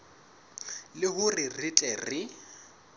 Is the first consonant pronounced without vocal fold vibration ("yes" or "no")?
no